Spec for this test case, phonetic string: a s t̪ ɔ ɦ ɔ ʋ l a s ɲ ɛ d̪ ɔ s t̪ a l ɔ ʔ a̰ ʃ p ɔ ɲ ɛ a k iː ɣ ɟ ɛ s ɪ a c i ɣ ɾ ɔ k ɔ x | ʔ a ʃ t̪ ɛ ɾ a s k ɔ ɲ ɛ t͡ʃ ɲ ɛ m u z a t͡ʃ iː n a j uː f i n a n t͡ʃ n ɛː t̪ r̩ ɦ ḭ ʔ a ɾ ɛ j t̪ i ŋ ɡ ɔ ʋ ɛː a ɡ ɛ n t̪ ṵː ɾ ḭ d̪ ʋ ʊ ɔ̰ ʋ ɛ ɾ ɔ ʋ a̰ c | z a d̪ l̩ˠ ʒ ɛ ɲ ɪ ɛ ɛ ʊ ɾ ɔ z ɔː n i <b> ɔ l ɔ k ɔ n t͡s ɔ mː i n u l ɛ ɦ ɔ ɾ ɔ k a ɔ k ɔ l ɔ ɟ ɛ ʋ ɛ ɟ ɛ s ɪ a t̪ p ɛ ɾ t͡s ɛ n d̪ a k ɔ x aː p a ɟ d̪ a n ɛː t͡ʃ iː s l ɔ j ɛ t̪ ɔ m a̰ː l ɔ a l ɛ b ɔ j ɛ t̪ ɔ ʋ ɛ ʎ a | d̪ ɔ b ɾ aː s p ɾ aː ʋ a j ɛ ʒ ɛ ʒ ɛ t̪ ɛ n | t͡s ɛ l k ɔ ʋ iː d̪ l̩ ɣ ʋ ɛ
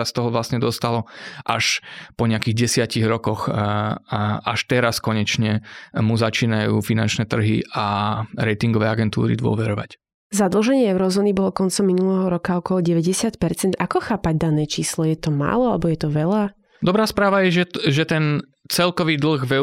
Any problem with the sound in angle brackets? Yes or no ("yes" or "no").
no